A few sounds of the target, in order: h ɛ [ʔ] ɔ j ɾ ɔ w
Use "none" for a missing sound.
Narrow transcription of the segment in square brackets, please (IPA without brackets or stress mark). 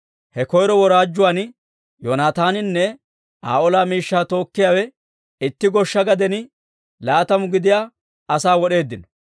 k